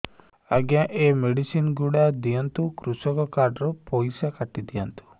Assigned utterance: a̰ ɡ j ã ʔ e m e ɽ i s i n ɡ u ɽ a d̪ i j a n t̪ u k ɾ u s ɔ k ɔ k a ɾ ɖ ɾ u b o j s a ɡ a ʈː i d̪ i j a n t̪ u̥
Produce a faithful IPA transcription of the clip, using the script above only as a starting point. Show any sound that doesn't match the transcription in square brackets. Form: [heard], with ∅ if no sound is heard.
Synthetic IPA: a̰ ɡ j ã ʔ e m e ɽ i s i n ɡ u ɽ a d̪ i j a n t̪ u k ɾ u s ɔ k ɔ k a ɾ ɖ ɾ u [p] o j s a [k] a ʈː i d̪ i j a n t̪ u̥